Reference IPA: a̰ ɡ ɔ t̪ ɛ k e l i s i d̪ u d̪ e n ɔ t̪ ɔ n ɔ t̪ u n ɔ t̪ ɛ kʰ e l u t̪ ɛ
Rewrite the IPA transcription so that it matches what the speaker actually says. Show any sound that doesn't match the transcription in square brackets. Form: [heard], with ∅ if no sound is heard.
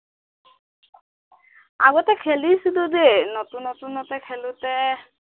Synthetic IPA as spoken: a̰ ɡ ɔ t̪ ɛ [kʰ] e l i s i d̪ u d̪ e n ɔ t̪ [u] n ɔ t̪ u n ɔ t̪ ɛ kʰ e l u t̪ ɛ